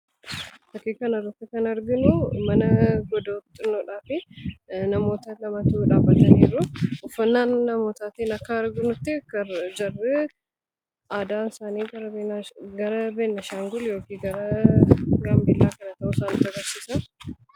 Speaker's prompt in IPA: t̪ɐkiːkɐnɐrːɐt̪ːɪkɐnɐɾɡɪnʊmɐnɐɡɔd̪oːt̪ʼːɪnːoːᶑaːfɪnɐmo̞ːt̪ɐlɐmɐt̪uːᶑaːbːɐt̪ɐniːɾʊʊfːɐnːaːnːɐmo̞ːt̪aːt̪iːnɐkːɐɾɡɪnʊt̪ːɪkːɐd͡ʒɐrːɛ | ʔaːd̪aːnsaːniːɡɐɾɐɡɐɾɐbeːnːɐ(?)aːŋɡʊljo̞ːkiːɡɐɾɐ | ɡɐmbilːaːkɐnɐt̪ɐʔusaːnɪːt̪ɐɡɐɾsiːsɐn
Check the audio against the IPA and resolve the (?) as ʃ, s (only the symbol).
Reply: ʃ